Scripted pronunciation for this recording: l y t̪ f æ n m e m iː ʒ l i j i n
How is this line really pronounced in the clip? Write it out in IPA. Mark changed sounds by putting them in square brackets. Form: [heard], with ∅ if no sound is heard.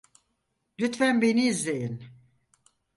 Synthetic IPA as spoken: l y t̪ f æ n [b] e [n] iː [z] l [e] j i n